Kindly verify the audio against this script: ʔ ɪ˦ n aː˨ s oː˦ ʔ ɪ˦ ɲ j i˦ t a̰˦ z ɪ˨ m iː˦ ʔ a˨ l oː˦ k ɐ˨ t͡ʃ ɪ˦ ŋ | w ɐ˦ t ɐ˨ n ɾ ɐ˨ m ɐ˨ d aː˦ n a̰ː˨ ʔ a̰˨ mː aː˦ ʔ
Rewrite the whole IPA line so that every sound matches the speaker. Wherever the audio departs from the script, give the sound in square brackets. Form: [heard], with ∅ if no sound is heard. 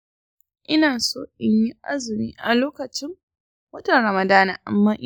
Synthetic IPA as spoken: ʔ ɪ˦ n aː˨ s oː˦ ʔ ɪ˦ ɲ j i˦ [ʔ] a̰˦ z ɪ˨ m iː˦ ʔ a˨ l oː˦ k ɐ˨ t͡ʃ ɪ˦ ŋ | w ɐ˦ t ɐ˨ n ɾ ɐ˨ m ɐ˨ d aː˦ n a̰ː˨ ʔ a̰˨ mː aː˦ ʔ